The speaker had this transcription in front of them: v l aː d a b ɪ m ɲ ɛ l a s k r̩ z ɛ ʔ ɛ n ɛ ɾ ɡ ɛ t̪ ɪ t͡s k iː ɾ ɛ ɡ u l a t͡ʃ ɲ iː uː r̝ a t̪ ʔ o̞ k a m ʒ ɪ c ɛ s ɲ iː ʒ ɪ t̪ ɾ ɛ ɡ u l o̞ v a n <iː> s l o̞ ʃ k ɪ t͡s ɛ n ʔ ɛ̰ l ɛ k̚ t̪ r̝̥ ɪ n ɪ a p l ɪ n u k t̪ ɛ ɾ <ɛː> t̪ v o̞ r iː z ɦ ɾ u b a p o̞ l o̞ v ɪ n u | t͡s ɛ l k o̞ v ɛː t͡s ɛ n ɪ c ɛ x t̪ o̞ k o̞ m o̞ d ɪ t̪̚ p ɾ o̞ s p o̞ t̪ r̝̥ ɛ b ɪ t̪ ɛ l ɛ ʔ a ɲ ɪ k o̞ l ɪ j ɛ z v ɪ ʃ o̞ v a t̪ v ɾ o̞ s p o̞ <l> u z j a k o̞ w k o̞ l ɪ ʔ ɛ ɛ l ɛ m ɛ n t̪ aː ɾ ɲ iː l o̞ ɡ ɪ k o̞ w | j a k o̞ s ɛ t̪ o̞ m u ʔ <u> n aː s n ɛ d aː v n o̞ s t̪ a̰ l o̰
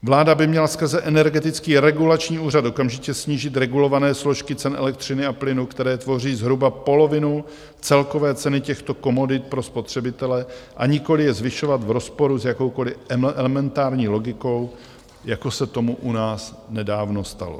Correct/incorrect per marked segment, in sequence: incorrect, correct, incorrect, correct

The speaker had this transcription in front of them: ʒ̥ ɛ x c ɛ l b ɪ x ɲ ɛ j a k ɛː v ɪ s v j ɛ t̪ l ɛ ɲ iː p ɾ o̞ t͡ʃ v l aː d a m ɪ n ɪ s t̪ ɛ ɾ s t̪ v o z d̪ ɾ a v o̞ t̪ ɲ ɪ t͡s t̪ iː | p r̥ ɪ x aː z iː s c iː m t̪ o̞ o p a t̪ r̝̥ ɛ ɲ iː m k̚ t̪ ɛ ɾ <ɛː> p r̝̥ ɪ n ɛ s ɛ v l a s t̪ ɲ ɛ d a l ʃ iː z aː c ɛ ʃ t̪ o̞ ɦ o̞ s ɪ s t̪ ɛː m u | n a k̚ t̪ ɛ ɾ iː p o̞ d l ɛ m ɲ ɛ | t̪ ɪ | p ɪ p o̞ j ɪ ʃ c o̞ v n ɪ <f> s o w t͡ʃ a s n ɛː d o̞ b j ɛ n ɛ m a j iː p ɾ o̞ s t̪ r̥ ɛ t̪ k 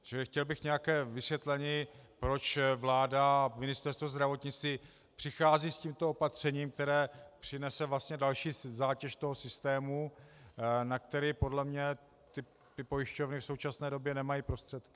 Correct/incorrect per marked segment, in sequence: correct, correct

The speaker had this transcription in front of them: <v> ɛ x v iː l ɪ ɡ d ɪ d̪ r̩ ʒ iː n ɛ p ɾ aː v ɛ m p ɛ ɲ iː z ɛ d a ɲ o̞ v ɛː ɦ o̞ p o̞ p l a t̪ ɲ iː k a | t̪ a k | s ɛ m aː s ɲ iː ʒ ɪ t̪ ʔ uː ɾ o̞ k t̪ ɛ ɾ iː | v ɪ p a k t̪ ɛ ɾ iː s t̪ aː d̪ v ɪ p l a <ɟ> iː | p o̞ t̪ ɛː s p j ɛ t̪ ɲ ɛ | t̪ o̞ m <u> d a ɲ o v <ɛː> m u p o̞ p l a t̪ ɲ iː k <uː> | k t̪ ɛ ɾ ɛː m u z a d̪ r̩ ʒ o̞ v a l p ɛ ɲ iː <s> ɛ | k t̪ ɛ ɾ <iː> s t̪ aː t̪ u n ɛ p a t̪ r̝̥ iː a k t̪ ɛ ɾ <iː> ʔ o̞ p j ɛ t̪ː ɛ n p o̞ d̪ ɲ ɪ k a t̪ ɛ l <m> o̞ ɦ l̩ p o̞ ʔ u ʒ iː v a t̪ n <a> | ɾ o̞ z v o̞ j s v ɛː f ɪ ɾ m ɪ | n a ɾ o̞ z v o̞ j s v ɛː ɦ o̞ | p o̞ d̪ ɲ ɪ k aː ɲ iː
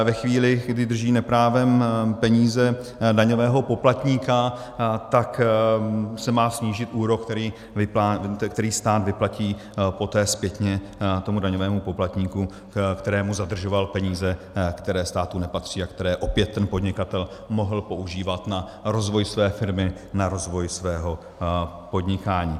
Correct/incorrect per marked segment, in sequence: correct, incorrect, correct, correct, incorrect, incorrect, incorrect, incorrect, correct, correct

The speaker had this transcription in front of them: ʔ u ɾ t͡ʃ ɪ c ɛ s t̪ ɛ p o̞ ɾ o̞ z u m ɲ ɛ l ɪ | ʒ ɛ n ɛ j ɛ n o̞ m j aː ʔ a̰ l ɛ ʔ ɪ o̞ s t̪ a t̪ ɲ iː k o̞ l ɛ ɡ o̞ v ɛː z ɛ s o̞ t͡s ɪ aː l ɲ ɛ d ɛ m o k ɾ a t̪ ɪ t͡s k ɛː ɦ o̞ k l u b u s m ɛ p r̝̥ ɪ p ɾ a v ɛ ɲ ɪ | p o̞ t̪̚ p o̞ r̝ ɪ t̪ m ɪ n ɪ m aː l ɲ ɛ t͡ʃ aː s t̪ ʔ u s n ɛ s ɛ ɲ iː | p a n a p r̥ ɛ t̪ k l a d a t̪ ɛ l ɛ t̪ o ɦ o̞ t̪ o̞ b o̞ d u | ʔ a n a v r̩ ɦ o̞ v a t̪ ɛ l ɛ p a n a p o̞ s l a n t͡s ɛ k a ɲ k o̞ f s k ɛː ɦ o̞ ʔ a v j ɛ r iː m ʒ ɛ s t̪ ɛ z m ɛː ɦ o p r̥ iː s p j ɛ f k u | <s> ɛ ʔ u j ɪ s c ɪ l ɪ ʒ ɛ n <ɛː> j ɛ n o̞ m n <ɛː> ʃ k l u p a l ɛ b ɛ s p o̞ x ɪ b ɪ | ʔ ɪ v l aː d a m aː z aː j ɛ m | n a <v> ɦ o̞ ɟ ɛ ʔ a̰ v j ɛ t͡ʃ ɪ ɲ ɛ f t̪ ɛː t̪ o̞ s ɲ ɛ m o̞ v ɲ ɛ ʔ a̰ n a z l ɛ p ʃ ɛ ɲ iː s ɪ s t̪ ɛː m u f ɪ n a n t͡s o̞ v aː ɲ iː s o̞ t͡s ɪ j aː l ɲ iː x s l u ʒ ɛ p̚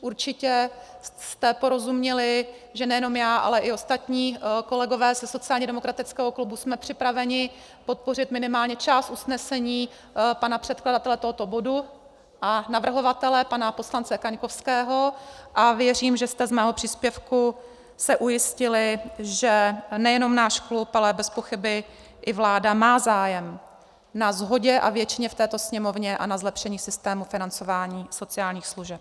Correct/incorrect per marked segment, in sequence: correct, incorrect, incorrect, incorrect

